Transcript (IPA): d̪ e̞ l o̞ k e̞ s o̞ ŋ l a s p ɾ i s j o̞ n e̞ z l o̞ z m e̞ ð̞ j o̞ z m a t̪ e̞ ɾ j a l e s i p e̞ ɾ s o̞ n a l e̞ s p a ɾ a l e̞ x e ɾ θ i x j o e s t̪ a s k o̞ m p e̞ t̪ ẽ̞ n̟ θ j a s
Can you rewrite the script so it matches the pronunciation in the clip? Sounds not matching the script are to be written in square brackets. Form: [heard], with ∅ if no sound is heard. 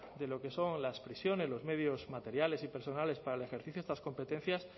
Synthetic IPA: d̪ e̞ l o̞ k e̞ s o̞ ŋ l a s p ɾ i s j o̞ n e̞ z l o̞ z m e̞ ð̞ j o̞ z m a t̪ e̞ ɾ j a l e s i p e̞ ɾ s o̞ n a l e̞ s p a ɾ a l e̞ x e ɾ θ i [θ] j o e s t̪ a s k o̞ m p e̞ t̪ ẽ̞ n̟ θ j a s